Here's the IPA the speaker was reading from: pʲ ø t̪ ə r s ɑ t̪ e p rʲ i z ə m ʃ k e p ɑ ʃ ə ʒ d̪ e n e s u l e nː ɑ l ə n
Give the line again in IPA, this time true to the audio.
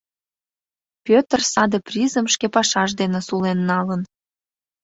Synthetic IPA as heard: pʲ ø t̪ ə r s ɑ d̪ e p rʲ i z ə m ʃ k e p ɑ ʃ ɑ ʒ d̪ e n e s u l e nː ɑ l ə n

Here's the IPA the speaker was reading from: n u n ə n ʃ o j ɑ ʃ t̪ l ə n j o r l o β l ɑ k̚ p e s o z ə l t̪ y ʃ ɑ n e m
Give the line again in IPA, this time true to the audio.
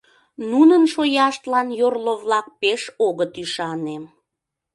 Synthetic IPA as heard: n u n ə n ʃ o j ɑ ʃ t̪ l ɑ n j o r l o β l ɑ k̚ p e ʃ o ɣ ə t̪ y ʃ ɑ n e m

